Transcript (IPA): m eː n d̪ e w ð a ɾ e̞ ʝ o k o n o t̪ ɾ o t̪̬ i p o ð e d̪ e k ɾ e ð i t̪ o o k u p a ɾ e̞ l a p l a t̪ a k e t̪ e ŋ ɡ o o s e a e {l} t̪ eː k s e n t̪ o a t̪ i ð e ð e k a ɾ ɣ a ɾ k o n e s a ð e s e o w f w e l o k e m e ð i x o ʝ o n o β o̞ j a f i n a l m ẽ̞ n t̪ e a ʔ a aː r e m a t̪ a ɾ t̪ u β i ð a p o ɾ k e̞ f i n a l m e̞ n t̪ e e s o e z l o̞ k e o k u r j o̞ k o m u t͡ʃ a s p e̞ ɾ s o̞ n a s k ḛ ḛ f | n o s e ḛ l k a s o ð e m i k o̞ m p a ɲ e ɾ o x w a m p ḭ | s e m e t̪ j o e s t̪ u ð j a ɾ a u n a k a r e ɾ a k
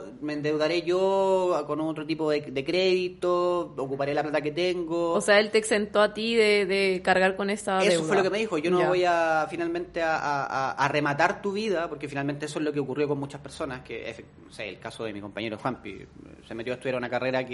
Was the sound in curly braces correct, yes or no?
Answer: yes